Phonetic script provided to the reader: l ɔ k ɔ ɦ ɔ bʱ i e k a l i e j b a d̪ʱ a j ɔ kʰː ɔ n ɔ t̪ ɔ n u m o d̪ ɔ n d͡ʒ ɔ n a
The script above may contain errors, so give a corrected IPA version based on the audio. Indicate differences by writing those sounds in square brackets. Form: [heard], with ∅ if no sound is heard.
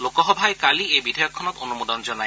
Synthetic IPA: l [o] k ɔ ɦ ɔ bʱ [a] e k a l i e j b [i] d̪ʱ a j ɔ kʰː ɔ n ɔ t̪ [o] n u m o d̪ ɔ n d͡ʒ ɔ n a